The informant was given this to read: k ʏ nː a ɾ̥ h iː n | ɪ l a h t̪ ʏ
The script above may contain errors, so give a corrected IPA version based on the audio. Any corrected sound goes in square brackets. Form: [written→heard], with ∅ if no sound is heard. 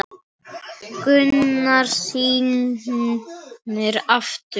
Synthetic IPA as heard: k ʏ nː a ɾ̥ [h→s] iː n | ɪ [l→ɾ] a [h→f] t̪ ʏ